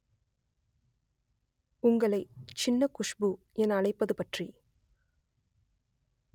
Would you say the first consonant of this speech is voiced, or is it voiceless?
voiced